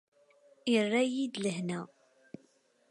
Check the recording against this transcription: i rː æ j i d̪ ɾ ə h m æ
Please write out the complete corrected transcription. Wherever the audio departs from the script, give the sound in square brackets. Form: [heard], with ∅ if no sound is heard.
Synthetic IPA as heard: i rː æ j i d̪ [l] ə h [n] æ